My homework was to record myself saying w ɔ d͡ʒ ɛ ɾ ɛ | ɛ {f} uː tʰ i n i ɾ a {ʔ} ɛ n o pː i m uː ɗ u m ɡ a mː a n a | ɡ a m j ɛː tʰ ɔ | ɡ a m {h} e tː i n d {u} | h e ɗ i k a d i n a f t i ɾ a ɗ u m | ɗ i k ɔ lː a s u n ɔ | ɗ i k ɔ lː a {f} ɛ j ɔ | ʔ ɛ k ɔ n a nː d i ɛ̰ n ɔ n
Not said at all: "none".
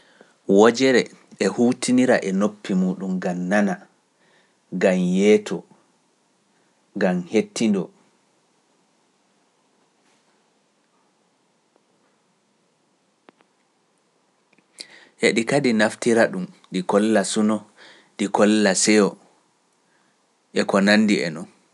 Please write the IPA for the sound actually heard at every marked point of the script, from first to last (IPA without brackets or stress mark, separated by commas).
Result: h, ʔ, h, ɔ, s